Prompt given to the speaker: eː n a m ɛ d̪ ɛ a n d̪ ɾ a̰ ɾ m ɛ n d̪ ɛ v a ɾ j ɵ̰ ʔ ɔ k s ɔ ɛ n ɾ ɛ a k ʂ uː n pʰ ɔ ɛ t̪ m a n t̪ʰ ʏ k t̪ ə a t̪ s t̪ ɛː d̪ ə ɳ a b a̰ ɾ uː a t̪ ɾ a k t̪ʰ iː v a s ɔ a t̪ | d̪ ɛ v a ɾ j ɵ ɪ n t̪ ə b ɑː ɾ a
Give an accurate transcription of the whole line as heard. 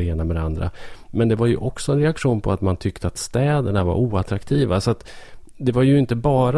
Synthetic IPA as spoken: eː n a m ɛ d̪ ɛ a n d̪ ɾ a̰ m ɛ n d̪ ɛ v a ɾ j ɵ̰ ʔ ɔ k s ɔ ɛ n ɾ ɛ a k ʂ uː n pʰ ɔ a t̪ m a n t̪ʰ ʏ k t̪ ə a t̪ s t̪ ɛː d̪ ə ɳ a v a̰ ɾ uː a t̪ ɾ a k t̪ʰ iː v a s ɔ a t̪ | d̪ ɛ v a ɾ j ɵ ɪ n t̪ ə b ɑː ɾ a